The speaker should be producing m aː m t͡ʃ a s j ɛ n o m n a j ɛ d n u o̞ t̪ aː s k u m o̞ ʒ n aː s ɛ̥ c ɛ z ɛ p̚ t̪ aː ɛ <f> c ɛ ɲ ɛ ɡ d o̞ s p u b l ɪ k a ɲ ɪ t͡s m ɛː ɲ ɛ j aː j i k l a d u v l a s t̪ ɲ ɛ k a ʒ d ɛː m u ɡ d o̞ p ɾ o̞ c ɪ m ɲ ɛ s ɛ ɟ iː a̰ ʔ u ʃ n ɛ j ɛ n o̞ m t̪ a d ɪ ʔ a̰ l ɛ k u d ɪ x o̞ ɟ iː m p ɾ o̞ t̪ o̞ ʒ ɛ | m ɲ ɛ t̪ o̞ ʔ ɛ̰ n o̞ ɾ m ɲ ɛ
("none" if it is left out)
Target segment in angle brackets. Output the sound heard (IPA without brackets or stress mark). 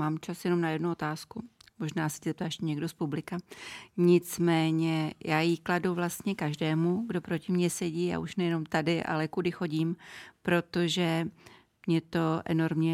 ʃ